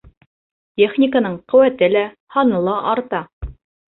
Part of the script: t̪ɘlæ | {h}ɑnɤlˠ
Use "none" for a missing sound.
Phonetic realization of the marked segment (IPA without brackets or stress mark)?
h